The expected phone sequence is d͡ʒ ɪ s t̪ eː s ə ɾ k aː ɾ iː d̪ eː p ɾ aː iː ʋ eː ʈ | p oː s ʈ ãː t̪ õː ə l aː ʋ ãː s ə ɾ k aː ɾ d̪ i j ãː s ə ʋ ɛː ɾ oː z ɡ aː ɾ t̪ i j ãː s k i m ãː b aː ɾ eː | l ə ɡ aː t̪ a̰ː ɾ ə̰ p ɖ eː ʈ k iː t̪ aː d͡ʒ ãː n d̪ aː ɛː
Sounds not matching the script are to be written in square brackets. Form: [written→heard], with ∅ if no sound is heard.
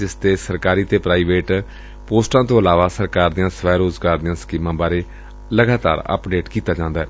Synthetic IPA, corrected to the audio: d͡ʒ ɪ s t̪ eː s ə ɾ k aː ɾ iː [d̪→t̪] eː p ɾ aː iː ʋ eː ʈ | p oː s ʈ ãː t̪ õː ə l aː ʋ [ãː→aː] s ə ɾ k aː ɾ d̪ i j ãː s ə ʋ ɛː ɾ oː z ɡ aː ɾ [t̪→d̪] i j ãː s k [i→iː] m ãː b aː ɾ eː | l ə ɡ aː t̪ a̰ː ɾ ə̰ p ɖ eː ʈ k iː t̪ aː d͡ʒ ãː n d̪ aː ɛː